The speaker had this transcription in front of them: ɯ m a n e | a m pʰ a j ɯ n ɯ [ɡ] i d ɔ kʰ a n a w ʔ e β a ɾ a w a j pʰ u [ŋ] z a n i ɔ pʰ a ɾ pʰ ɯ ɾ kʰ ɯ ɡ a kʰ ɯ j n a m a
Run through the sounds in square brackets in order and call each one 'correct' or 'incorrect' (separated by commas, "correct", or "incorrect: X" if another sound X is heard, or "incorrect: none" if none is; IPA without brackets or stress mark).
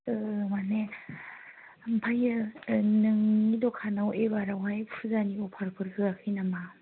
incorrect: ŋ, incorrect: none